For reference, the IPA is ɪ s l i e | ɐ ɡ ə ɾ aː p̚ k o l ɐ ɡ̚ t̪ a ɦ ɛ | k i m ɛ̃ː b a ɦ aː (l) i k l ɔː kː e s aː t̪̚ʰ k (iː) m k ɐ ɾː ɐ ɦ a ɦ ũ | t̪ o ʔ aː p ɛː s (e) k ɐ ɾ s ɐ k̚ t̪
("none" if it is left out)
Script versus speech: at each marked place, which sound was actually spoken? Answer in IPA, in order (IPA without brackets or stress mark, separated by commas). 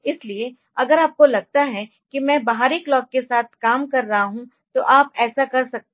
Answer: ɾ, aː, a